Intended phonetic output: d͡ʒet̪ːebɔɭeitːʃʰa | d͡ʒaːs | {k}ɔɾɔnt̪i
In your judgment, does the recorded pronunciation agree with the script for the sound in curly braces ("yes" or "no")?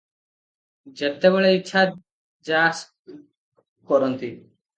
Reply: yes